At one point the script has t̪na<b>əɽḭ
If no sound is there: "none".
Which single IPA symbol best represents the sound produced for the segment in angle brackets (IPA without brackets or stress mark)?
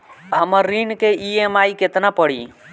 p